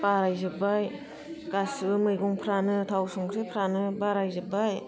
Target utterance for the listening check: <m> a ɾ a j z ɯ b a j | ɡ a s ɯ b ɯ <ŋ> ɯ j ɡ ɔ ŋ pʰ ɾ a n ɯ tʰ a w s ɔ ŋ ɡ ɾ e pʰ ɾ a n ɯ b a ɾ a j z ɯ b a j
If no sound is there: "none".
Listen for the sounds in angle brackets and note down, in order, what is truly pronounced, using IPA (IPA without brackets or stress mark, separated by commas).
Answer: b, m